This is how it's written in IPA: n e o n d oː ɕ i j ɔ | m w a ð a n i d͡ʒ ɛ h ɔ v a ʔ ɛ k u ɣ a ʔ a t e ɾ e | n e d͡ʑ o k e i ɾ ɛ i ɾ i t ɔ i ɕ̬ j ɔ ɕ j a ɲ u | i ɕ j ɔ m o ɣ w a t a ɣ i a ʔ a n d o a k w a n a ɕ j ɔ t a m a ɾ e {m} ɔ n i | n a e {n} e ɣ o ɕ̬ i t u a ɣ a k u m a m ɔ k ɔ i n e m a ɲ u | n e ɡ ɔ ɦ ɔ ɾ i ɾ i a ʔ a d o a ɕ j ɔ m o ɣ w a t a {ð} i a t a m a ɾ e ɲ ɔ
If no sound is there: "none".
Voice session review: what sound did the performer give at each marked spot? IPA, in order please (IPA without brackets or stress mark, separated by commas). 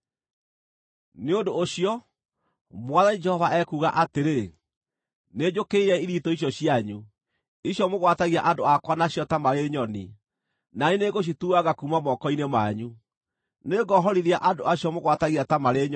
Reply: ɲ, n, ɣ